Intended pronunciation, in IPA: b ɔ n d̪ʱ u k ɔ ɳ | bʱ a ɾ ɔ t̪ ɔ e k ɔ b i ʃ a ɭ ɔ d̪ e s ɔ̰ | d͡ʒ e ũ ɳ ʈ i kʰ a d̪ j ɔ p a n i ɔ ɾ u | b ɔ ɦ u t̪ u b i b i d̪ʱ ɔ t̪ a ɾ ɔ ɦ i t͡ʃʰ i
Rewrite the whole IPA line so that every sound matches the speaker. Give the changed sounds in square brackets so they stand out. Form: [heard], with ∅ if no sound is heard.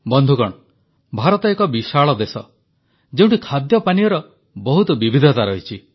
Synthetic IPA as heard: b ɔ n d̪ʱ u k ɔ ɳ | bʱ a ɾ ɔ t̪ ɔ e k ɔ b i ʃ a ɭ ɔ d̪ e s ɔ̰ | d͡ʒ e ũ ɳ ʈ i kʰ a d̪ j ɔ p a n i ɔ ɾ [ɔ] | b ɔ ɦ u t̪ [ɔ] b i b i d̪ʱ ɔ t̪ a ɾ ɔ ɦ i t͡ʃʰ i